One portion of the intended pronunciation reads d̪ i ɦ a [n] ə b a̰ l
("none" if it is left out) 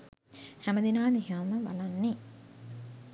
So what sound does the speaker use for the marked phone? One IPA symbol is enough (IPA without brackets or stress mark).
m